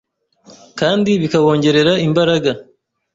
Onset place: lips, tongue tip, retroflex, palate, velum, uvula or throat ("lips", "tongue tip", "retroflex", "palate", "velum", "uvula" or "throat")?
velum